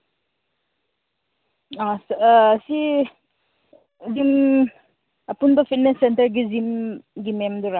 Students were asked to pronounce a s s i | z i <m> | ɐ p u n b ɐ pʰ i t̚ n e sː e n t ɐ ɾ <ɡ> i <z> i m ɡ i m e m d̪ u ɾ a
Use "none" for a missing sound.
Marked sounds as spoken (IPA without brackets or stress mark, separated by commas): m, ɡ, z